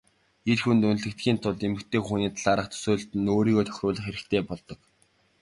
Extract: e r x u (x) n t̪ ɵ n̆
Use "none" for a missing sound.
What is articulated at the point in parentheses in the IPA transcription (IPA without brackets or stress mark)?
none